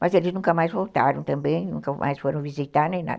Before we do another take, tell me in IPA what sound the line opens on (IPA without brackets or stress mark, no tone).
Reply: m